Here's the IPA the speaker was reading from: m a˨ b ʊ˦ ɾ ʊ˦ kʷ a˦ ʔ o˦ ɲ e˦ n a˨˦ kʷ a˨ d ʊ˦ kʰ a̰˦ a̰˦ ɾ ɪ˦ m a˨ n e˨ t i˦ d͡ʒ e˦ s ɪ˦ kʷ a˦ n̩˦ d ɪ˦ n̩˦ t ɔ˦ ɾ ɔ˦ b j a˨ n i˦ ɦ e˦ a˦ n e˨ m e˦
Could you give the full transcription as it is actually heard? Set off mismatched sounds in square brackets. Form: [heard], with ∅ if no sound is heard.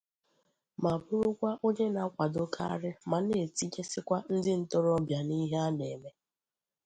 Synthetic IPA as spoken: m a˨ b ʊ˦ ɾ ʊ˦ kʷ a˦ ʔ o˦ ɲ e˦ n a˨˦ kʷ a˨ d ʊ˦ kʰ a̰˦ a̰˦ ɾ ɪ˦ m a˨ n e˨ t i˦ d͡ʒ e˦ s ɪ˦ kʷ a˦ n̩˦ d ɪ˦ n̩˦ t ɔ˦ ɾ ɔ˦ b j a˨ n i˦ ɦ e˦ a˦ n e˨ m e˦